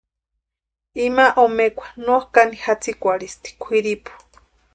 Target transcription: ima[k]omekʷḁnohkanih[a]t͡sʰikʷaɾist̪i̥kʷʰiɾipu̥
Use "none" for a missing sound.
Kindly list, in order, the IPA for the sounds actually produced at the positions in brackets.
ʔ, a

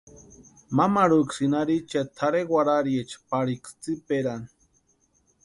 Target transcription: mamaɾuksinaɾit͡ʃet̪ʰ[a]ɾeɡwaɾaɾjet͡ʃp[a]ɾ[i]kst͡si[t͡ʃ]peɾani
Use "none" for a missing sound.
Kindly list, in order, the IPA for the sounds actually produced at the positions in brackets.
a, a, i, none

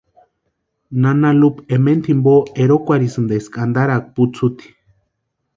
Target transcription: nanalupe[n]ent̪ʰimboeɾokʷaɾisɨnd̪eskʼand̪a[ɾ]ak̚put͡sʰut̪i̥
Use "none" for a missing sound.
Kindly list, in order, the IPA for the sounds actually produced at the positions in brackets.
m, ɾ

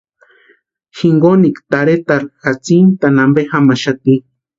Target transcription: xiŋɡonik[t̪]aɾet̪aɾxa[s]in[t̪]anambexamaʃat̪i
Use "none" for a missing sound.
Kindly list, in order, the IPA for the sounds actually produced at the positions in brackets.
t̪, t͡s, t̪

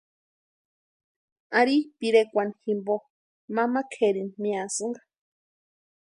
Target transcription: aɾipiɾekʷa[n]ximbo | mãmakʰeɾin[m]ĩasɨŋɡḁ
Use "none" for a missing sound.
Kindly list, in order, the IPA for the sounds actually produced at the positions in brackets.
n, m

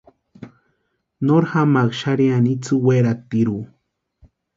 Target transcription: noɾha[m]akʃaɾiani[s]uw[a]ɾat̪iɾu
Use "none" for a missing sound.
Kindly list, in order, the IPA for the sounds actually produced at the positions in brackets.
m, t͡s, e

